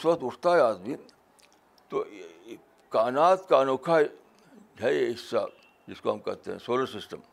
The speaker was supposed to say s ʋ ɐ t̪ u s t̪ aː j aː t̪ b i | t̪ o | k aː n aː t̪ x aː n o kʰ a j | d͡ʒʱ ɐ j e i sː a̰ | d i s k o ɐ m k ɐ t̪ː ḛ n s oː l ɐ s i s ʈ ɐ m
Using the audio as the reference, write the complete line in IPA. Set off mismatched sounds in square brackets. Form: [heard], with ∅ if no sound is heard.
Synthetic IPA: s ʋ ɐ t̪ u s t̪ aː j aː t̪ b i | t̪ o | k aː n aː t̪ [k] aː n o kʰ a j | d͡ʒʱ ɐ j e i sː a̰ | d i s k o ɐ m k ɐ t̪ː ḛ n s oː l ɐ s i s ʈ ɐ m